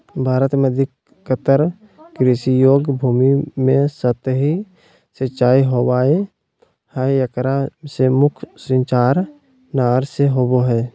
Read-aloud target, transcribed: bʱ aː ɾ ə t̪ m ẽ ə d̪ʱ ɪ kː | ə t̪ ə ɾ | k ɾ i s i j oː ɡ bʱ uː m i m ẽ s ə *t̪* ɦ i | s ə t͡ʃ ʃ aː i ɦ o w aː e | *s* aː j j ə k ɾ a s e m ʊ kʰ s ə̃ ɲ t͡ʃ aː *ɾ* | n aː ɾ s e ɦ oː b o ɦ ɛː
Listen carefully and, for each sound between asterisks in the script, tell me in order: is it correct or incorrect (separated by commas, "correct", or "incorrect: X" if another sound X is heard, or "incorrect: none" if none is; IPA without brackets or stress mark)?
correct, incorrect: h, correct